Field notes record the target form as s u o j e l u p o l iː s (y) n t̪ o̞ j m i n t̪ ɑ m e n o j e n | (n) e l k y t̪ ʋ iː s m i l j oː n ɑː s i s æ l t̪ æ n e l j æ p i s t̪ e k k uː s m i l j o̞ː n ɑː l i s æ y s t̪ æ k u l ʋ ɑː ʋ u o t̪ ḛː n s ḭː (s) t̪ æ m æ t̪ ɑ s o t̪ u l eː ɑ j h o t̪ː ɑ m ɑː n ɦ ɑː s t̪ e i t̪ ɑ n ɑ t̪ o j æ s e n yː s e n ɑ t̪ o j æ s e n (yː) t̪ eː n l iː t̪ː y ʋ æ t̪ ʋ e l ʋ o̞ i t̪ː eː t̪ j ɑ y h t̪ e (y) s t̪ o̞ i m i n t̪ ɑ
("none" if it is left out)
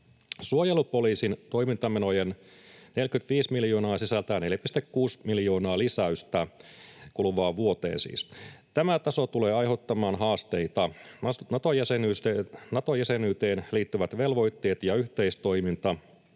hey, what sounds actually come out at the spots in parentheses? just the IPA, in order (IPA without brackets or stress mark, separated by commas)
i, n, s, yː, i